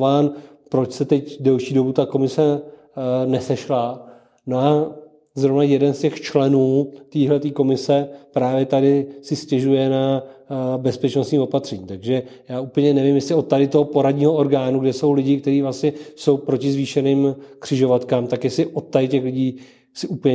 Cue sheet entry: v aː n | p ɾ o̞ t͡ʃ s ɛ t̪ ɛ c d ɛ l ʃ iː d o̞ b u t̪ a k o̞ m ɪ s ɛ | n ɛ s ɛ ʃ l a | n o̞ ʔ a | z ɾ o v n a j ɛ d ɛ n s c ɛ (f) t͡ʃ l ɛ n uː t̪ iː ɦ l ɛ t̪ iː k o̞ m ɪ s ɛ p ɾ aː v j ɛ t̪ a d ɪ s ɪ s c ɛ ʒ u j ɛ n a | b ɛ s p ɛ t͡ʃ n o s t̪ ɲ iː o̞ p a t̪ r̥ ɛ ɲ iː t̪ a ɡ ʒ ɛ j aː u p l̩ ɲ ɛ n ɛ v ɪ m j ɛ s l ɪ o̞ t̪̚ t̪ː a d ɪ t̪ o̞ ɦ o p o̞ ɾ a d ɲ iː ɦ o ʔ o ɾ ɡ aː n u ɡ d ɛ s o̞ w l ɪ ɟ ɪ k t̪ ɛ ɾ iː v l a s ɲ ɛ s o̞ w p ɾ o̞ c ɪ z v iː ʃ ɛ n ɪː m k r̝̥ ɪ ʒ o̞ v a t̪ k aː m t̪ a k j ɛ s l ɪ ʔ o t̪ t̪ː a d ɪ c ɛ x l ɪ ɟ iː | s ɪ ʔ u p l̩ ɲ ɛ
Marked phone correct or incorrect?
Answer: incorrect